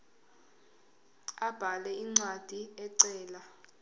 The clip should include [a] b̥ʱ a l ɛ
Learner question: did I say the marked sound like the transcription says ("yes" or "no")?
yes